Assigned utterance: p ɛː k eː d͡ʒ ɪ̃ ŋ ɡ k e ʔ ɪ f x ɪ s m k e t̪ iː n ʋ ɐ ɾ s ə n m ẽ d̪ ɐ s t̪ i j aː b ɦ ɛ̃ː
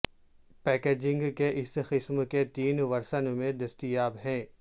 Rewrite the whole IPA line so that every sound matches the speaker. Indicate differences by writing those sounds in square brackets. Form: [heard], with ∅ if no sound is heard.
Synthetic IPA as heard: p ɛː k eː d͡ʒ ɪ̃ ŋ ɡ k e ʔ ɪ [s] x ɪ s m k e t̪ iː n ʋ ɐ ɾ s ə n m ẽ d̪ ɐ s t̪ i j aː b ɦ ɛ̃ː